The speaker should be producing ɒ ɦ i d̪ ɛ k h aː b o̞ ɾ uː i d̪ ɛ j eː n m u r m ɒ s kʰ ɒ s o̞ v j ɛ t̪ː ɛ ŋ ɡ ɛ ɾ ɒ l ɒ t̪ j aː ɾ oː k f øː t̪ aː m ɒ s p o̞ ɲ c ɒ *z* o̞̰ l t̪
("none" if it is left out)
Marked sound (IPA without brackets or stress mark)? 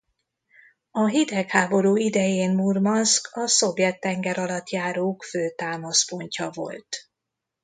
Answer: v